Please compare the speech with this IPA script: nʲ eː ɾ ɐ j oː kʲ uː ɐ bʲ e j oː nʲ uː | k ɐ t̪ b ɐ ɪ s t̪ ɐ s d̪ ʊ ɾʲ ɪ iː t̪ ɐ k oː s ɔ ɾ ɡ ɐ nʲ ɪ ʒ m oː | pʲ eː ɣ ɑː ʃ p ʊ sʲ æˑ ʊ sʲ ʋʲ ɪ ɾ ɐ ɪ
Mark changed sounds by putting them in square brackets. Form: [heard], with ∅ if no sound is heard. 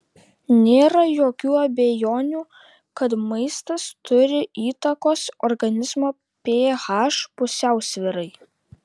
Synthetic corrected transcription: nʲ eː ɾ ɐ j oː kʲ uː ɐ bʲ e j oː nʲ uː | k ɐ t̪ [m] ɐ ɪ s t̪ ɐ s [t̪] ʊ ɾʲ ɪ iː t̪ ɐ k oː s ɔ ɾ ɡ ɐ nʲ ɪ [z] m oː | pʲ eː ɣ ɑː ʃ p ʊ sʲ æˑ ʊ sʲ ʋʲ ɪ ɾ ɐ ɪ